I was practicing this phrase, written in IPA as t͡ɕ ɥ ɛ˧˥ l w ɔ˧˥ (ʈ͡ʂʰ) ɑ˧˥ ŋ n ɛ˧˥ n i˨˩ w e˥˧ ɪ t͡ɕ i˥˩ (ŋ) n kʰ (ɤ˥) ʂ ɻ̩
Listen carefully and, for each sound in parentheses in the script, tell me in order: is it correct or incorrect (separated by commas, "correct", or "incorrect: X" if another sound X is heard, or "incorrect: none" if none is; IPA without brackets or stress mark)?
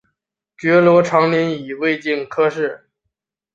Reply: correct, incorrect: none, correct